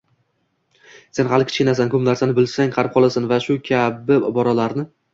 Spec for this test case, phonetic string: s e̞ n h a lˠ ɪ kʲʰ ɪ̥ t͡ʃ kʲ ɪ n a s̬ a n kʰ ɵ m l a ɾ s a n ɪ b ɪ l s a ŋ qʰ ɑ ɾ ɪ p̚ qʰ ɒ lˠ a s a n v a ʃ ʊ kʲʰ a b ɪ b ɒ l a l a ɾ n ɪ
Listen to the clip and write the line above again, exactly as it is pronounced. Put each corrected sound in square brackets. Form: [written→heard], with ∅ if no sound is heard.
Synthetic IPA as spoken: s e̞ n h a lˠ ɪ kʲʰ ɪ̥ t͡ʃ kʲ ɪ n a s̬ a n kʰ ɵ m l a ɾ s a n ɪ b ɪ l s a ŋ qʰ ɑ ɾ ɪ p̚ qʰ ɒ lˠ a s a n v a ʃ ʊ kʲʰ a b ɪ b ɒ [l→ɾ] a l a ɾ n ɪ